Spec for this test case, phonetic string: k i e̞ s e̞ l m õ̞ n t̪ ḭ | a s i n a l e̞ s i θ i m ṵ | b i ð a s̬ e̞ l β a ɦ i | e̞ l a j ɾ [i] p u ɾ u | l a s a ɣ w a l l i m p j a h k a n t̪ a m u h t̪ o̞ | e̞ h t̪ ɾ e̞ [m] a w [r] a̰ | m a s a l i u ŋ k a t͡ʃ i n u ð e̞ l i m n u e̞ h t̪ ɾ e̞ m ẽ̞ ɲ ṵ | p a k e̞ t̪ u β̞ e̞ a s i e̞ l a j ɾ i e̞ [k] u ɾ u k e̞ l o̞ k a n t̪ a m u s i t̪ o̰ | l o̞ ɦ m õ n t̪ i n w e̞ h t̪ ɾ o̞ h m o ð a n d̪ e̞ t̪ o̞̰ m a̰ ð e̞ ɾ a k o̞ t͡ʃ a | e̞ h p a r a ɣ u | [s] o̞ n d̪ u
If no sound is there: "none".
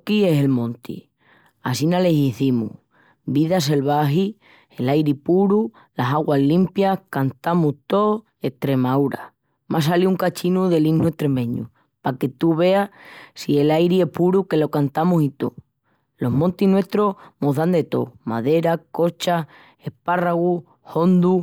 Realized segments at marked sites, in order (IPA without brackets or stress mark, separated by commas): i, m, ɾ, p, h